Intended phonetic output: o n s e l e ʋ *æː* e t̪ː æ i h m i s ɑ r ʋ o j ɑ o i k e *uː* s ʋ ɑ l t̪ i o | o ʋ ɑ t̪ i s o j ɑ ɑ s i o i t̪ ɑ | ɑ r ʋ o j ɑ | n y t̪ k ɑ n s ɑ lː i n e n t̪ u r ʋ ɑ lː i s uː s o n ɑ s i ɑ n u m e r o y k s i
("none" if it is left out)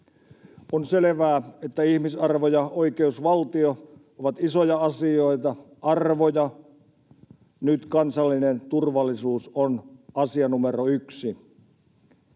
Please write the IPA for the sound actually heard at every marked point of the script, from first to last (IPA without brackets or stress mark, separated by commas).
æː, u